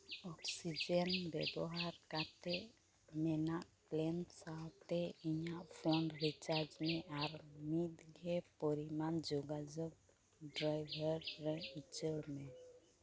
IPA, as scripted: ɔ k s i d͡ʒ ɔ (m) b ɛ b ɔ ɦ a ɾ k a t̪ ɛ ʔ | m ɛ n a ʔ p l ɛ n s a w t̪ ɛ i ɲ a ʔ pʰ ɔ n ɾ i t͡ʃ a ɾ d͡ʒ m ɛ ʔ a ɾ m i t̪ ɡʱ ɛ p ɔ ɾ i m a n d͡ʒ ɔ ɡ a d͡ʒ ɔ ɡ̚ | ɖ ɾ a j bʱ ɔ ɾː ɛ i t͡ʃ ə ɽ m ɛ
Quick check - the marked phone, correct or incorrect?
incorrect